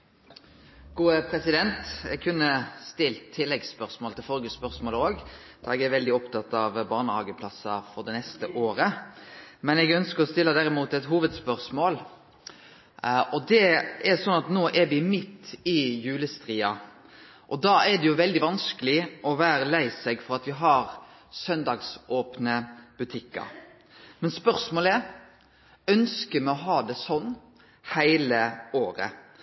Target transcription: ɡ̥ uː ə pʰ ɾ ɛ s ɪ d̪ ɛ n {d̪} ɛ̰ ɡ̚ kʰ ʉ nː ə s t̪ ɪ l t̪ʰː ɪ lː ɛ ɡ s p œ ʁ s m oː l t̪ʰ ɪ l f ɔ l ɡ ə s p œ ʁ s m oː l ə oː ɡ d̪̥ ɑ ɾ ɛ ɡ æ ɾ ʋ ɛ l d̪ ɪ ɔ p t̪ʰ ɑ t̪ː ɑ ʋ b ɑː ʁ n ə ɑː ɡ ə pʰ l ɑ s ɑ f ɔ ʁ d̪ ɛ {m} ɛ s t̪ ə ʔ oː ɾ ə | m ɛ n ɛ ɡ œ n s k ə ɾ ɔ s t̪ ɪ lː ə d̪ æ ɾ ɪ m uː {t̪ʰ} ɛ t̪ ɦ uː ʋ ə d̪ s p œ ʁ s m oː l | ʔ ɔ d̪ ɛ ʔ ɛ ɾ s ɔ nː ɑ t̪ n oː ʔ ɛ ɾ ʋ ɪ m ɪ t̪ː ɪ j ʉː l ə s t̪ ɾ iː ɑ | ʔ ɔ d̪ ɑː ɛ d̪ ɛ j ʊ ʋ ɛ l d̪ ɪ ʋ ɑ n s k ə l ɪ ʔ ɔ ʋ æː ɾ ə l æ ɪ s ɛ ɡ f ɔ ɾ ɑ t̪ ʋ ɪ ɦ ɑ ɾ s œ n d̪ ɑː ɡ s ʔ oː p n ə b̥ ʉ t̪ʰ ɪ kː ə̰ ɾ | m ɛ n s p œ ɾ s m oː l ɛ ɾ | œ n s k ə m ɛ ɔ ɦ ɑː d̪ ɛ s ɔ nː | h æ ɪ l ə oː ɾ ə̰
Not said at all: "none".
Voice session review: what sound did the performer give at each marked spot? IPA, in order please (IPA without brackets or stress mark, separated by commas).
t̪, n, t̪